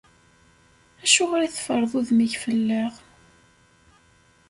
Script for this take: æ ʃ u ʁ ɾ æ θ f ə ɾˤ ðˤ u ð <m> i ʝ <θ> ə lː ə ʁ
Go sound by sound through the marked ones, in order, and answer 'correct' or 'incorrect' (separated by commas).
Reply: correct, incorrect